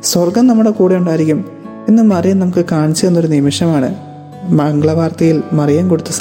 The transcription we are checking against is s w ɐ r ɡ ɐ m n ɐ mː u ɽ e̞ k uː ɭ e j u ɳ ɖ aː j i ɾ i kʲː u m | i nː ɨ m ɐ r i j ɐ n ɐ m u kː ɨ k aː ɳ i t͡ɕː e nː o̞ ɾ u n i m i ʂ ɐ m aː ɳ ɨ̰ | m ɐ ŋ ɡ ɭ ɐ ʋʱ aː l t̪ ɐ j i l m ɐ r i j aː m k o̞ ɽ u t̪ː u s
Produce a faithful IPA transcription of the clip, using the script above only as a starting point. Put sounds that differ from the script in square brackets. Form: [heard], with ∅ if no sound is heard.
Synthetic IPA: s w ɐ r ɡ ɐ m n ɐ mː u ɽ e̞ k uː [ɽ] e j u ɳ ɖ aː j i ɾ i kʲː u m | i nː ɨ m ɐ r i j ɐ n ɐ m u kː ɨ k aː ɳ i t͡ɕː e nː o̞ ɾ u n i m i ʂ ɐ m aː ɳ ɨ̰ | m ɐ ŋ ɡ ɭ ɐ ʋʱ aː [r] t̪ ɐ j i l m ɐ r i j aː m k o̞ ɽ u t̪ː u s